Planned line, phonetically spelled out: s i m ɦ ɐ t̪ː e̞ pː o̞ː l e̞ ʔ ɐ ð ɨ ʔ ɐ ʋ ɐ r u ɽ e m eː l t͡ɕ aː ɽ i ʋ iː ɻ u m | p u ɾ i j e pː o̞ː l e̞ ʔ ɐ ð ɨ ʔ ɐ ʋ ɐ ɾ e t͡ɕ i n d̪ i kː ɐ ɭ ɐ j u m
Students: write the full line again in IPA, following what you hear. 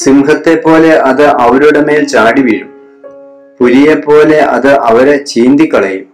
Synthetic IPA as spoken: s i m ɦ ɐ t̪ː e̞ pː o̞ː l e̞ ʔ ɐ ð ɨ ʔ ɐ ʋ ɐ ɾ u ɽ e m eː l t͡ɕ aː ɽ i ʋ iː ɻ u m | p u ɾ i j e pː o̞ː l e̞ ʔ ɐ ð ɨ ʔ ɐ ʋ ɐ ɾ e t͡ɕ iː n d̪ i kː ɐ ɭ ɐ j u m